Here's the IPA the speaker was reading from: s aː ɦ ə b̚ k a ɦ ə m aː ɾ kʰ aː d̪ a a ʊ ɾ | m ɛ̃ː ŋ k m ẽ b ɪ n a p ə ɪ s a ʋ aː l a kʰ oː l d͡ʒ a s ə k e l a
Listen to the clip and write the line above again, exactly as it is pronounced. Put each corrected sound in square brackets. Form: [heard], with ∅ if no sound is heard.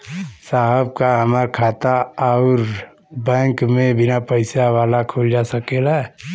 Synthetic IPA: s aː ɦ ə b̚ k a ɦ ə m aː ɾ kʰ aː [t̪] a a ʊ ɾ | [b] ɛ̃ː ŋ k m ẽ b ɪ n a p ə ɪ s a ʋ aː l a kʰ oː l d͡ʒ a s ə k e l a